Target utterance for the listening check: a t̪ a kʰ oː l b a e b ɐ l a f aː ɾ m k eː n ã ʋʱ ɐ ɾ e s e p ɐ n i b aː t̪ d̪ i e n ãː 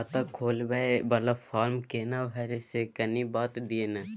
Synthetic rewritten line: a t̪ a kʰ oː l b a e b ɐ l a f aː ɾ m k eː n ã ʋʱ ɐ ɾ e s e k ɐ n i b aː t̪ d̪ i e n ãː